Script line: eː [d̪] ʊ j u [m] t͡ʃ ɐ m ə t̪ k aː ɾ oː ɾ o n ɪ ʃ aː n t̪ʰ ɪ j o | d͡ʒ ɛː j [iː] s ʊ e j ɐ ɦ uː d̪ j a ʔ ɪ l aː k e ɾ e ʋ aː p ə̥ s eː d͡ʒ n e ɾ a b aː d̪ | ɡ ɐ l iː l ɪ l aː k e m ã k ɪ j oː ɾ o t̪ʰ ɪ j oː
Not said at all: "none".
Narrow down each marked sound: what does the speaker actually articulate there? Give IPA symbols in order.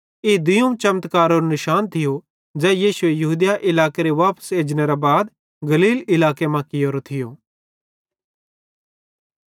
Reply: d̪, m, iː

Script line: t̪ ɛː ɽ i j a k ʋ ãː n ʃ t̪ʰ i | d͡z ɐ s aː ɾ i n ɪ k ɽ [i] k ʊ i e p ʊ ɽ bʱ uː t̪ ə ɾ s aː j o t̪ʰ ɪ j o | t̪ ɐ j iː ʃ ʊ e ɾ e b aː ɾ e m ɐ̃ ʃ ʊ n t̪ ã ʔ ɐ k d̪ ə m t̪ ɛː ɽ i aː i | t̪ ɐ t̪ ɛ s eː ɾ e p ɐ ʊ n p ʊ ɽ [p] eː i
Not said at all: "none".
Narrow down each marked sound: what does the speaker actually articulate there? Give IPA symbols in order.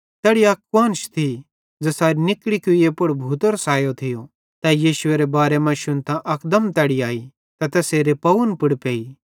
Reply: i, p

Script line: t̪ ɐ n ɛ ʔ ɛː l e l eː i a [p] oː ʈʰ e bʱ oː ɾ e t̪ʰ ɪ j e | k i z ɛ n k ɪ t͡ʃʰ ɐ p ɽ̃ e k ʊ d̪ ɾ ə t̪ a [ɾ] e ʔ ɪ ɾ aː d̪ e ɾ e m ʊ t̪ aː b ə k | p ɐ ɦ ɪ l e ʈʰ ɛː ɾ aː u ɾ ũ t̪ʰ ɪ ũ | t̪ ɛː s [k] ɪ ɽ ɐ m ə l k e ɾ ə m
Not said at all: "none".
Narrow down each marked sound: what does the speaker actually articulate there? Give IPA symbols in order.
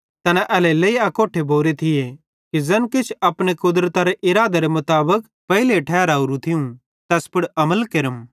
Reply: k, ɾ, p

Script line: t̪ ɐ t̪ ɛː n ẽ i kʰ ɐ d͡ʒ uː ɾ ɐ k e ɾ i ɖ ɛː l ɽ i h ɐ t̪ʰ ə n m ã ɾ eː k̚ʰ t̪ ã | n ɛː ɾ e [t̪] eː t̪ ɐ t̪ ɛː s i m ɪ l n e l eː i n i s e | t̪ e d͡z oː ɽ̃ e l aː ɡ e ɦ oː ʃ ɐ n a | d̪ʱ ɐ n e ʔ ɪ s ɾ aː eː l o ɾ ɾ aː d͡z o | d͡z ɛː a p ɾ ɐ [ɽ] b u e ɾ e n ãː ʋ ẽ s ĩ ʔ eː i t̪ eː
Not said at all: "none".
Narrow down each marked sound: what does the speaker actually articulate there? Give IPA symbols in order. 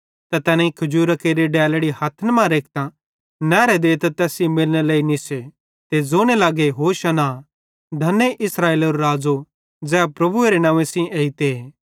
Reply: d̪, none

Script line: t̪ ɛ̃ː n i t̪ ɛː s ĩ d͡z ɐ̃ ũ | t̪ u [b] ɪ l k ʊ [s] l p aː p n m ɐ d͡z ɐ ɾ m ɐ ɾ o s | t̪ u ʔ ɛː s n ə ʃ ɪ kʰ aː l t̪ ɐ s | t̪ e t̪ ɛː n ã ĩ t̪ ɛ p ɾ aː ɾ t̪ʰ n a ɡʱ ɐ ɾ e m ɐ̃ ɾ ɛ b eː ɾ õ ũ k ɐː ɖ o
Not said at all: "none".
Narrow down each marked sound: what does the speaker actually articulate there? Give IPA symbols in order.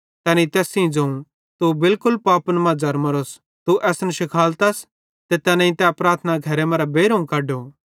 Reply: b, none

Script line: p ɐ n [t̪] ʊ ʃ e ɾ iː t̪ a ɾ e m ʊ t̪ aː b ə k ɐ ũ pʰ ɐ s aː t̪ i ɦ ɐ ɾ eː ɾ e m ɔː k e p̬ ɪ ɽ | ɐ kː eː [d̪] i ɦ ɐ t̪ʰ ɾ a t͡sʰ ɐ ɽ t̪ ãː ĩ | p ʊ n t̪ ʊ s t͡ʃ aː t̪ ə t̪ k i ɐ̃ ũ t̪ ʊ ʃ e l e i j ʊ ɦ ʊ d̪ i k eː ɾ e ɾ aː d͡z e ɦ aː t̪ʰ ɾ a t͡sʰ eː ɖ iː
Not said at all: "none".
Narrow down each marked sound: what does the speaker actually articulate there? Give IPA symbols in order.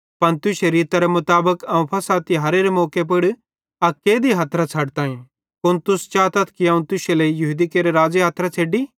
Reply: t̪, d̪

